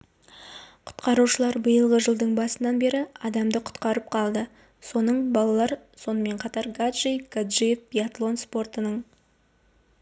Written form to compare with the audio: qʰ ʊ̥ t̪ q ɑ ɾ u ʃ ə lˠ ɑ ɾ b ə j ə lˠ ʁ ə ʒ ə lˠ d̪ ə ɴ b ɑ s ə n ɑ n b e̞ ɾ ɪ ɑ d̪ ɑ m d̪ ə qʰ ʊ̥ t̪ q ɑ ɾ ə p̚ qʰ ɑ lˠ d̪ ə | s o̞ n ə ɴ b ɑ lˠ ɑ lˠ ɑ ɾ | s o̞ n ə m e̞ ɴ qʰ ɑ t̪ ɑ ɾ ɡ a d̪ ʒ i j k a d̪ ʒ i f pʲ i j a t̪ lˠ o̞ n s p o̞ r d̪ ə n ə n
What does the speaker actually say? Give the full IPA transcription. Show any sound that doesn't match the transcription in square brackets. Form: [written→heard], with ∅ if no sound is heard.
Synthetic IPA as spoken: qʰ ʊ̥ t̪ q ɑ ɾ u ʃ ə lˠ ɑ ɾ b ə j ə lˠ ʁ ə ʒ ə lˠ d̪ ə ɴ b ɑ s ə n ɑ n b e̞ ɾ ɪ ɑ d̪ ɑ m d̪ ə qʰ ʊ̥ t̪ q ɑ ɾ ə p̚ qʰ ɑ lˠ d̪ ə | s o̞ n ə ɴ b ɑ lˠ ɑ lˠ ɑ ɾ | s o̞ n ə m e̞ ɴ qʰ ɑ t̪ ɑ ɾ ɡ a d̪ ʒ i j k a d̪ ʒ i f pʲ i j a t̪ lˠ o̞ n s p o̞ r [d̪→t̪] ə n ə [n→ɴ]